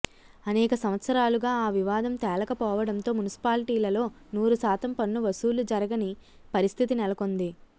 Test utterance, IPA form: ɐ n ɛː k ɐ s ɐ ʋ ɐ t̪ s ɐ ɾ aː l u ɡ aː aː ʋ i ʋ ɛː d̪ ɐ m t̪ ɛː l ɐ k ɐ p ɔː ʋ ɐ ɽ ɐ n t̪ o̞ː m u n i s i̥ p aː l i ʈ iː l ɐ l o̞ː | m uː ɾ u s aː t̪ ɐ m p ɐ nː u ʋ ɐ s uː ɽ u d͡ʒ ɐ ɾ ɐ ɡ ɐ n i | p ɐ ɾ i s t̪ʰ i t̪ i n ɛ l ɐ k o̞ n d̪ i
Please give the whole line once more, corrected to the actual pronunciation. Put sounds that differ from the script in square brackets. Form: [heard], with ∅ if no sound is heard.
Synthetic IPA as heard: ɐ n ɛː k ɐ s ɐ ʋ ɐ t̪ s ɐ ɾ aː l u ɡ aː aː ʋ i ʋ [aː] d̪ ɐ m t̪ ɛː l ɐ k ɐ p ɔː ʋ ɐ ɽ ɐ n t̪ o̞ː m u n i s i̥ p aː l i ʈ iː l ɐ l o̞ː | [n] uː ɾ u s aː t̪ ɐ m p ɐ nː u ʋ ɐ s uː [l] u d͡ʒ ɐ ɾ ɐ ɡ ɐ n i | p ɐ ɾ i s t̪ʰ i t̪ i n ɛ l ɐ k o̞ n d̪ i